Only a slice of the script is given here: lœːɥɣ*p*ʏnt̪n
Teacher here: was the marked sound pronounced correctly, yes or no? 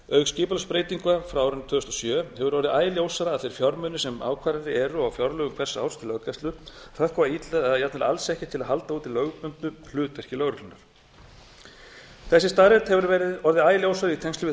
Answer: yes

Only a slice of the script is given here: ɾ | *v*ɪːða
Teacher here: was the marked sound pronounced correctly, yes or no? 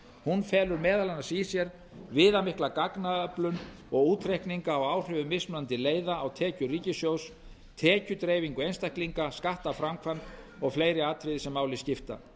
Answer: yes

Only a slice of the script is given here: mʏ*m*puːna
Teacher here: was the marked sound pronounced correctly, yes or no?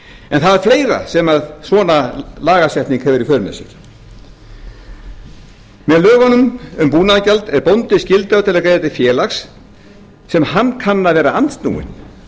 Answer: yes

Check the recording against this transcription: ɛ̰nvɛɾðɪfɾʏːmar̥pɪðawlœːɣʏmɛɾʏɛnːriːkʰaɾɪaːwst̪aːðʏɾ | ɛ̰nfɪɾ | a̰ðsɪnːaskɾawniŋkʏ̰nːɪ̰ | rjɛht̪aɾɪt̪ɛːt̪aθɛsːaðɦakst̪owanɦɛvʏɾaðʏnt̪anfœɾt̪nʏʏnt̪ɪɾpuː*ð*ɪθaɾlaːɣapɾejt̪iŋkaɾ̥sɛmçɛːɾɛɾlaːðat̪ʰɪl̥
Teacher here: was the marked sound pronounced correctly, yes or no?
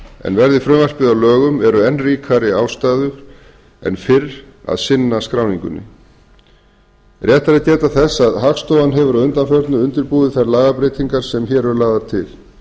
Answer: yes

